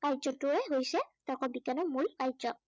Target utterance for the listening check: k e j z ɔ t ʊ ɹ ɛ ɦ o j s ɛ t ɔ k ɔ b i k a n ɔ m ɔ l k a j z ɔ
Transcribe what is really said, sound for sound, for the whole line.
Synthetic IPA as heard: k a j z ɔ t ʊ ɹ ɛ ɦ o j s ɛ t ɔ k ɔ b i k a n ɔ m u l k a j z ɔ